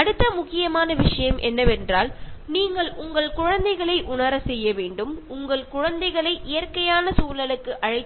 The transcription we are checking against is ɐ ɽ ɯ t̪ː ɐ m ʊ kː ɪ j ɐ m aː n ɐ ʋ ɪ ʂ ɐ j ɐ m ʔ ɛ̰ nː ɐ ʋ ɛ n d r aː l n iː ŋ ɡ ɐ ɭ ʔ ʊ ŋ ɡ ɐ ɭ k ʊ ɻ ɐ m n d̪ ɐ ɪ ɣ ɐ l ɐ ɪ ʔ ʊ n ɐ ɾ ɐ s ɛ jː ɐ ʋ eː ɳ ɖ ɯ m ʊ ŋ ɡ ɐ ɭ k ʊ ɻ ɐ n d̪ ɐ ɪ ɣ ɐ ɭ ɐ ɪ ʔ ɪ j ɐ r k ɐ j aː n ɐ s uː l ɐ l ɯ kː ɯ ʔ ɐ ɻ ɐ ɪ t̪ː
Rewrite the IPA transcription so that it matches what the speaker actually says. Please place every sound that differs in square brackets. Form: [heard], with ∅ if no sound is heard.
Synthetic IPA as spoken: ɐ ɽ ɯ t̪ː ɐ m ʊ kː ɪ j ɐ m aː n ɐ ʋ ɪ ʂ ɐ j ɐ m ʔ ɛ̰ nː ɐ ʋ ɛ n d r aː l n iː ŋ ɡ ɐ ɭ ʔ ʊ ŋ ɡ ɐ ɭ k ʊ ɻ ɐ [∅] n d̪ ɐ ɪ ɣ ɐ [ɭ] ɐ ɪ ʔ ʊ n ɐ ɾ ɐ s ɛ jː ɐ ʋ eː ɳ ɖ ɯ m ʊ ŋ ɡ ɐ ɭ k ʊ ɻ ɐ n d̪ ɐ ɪ ɣ ɐ ɭ ɐ ɪ ʔ ɪ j ɐ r k ɐ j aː n ɐ s uː l ɐ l ɯ kː ɯ ʔ ɐ ɻ ɐ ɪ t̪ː